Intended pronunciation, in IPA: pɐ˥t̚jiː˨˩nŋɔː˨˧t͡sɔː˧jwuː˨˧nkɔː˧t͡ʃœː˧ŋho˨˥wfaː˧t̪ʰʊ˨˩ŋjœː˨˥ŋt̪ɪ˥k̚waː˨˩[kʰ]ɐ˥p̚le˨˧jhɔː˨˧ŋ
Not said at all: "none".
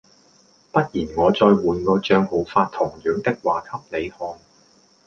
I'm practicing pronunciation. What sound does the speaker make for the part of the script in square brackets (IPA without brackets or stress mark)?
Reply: kʰ